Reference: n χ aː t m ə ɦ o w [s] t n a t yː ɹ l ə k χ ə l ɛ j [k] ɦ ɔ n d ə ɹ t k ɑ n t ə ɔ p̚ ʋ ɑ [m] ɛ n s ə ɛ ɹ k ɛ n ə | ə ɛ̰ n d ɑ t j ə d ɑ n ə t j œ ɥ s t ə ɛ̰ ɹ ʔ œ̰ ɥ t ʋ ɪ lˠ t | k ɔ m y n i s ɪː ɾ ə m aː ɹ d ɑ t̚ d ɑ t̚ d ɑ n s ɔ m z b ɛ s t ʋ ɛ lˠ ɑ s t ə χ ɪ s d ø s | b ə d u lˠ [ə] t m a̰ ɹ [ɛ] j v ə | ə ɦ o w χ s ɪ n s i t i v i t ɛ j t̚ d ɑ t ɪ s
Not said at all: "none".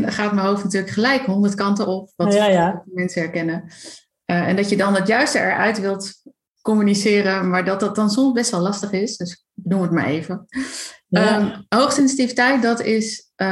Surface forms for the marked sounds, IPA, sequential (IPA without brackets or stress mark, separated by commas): f, k, m, ə, e